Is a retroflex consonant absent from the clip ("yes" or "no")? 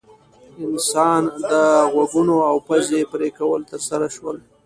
yes